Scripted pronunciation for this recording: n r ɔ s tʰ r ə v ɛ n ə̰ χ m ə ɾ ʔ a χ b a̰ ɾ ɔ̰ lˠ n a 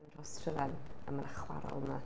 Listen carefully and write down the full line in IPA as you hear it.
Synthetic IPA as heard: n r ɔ s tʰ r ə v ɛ n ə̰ m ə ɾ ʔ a χ w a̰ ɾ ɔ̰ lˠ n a